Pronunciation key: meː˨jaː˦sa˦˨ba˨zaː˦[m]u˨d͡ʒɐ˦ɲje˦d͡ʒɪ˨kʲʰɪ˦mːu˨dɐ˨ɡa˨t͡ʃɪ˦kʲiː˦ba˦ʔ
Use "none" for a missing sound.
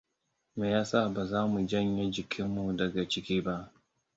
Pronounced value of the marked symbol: m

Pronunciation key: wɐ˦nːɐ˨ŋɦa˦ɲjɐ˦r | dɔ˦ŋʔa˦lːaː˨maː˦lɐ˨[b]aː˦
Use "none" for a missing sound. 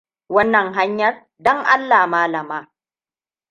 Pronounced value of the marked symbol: m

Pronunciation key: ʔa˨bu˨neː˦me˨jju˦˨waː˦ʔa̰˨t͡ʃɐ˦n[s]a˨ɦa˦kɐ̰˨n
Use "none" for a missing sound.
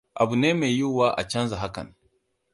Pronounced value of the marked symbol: z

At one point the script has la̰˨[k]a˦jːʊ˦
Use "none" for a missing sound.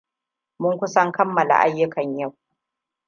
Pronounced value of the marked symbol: ʔ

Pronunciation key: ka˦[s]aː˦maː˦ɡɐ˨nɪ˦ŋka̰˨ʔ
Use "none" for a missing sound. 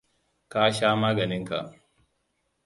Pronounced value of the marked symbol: ʃ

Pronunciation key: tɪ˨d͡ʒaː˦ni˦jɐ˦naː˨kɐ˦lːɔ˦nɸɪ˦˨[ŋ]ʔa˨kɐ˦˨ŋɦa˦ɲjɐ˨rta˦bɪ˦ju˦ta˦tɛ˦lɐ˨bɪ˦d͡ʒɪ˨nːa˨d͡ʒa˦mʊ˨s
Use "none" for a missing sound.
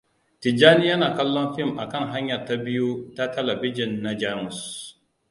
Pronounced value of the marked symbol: m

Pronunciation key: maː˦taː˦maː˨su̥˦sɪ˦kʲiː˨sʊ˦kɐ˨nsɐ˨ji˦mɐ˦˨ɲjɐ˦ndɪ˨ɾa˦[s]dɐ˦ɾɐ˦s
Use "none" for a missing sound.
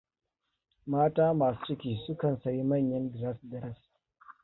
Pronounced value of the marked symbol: s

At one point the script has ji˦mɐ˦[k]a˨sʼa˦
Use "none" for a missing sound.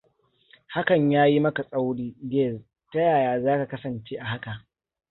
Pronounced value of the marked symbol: k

